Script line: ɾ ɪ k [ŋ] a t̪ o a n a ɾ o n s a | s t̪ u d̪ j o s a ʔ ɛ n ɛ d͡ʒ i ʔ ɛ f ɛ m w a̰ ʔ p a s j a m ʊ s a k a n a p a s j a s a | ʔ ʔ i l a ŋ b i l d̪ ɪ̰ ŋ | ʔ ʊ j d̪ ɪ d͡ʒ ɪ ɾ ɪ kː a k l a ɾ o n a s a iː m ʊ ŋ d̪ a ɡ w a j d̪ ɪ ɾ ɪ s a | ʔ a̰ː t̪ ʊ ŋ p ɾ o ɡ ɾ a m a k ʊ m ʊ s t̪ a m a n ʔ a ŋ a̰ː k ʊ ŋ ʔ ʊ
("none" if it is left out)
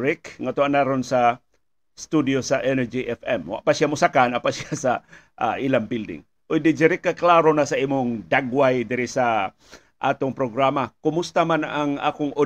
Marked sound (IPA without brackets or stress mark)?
ŋ